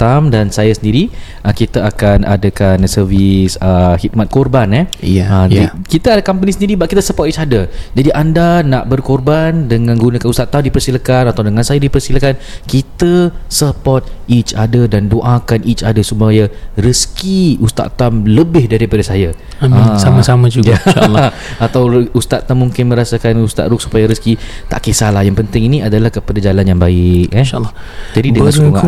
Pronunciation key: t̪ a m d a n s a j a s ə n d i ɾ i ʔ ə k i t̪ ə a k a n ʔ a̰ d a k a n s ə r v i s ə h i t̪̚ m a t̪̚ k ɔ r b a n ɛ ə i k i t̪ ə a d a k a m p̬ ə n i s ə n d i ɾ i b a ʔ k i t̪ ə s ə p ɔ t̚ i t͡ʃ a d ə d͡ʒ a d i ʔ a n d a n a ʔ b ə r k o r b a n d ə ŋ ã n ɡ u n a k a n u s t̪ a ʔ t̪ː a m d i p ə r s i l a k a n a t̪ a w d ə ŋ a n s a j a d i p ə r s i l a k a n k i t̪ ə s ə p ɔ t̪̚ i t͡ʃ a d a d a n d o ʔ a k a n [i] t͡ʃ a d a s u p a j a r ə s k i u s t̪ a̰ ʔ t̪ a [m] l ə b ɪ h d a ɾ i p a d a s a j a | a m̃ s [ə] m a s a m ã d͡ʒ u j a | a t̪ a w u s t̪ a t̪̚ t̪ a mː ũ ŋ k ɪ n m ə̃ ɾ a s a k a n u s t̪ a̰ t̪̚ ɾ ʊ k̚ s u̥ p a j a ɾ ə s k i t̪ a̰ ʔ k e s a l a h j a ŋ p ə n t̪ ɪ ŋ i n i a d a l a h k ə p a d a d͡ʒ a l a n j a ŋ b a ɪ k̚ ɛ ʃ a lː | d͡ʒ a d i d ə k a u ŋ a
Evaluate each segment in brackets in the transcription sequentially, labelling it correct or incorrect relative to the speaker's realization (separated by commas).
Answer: correct, correct, incorrect